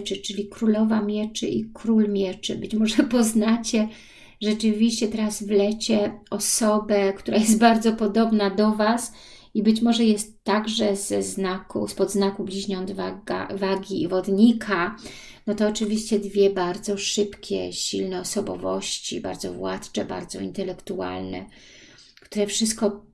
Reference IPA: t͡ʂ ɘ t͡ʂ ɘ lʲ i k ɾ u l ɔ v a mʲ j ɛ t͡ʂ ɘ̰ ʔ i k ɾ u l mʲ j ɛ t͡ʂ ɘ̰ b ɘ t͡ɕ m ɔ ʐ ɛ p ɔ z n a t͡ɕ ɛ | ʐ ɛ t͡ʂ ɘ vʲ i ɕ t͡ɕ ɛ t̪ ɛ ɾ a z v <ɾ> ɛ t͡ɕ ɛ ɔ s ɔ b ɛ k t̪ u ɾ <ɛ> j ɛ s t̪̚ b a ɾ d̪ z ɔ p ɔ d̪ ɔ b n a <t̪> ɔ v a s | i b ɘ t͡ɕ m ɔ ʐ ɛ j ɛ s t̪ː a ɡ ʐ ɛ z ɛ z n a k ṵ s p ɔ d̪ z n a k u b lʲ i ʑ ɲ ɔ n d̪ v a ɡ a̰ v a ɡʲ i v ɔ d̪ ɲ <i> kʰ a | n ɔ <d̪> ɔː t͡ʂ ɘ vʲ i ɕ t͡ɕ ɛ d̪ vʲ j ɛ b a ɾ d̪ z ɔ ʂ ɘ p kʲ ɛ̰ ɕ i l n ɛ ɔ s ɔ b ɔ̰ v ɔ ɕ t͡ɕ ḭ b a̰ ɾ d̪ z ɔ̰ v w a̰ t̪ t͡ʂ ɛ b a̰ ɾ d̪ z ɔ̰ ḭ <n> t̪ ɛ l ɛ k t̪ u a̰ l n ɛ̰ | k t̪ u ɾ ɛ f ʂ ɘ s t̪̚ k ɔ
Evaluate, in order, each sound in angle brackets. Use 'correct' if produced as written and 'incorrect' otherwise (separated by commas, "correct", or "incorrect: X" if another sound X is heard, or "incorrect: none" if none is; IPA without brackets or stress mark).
incorrect: l, incorrect: a, incorrect: d̪, correct, incorrect: t̪, correct